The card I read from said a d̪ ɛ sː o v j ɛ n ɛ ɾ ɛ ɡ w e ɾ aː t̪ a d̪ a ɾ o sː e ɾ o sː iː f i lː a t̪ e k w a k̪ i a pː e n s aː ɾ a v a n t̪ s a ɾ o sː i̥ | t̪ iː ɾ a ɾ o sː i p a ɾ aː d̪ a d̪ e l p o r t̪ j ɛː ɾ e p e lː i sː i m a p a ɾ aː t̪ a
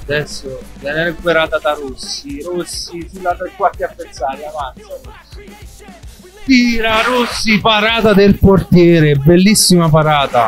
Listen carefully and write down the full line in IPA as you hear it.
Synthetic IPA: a d̪ ɛ sː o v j ɛ n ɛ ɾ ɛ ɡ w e ɾ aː t̪ a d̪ a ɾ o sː i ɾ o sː i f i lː a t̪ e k w a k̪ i a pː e n s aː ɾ a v a n t̪ s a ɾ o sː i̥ | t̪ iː ɾ a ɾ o sː i p a ɾ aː t̪ a d̪ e l p o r t̪ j ɛː ɾ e b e lː i sː i m a p a ɾ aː t̪ a